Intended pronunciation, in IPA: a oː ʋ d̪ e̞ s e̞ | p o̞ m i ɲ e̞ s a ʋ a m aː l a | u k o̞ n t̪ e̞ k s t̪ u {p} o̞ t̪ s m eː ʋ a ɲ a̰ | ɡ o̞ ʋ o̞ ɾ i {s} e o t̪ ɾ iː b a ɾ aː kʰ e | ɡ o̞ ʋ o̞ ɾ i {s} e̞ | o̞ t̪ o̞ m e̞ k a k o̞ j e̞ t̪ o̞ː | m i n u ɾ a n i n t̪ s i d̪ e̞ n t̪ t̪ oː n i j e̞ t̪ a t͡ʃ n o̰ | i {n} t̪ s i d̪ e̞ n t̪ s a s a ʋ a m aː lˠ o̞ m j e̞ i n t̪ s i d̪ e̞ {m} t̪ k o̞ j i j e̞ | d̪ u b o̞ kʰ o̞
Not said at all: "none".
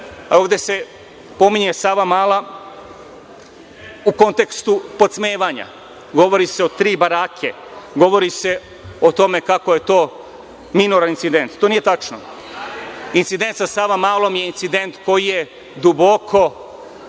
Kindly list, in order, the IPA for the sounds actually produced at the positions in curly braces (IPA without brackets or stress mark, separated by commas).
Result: p, s, s, n, n